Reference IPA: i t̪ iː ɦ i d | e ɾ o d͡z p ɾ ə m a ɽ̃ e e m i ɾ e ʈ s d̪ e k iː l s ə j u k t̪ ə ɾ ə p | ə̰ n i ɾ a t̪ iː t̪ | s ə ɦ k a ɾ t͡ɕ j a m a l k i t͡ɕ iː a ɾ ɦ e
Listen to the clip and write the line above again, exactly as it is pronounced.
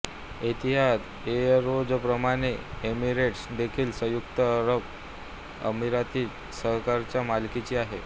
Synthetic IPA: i t̪ i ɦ a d | e ɾ o d͡z p ɾ ə m a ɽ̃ e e m i ɾ e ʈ s d̪ e kʰ iː l s ə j u k t̪ ə ɾ ə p | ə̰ m i ɾ a t̪ iː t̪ | s ə ɦ k a ɾ t͡ɕ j a m a l k i t͡ɕ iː a ɦ e